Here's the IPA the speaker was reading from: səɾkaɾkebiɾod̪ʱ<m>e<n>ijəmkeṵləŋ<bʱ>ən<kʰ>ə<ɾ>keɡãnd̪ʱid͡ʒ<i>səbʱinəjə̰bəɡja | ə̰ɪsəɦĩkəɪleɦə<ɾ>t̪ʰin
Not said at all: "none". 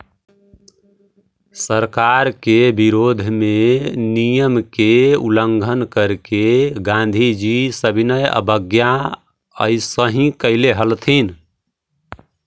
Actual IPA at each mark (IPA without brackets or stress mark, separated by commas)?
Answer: m, n, ɡʱ, k, ɾ, i, l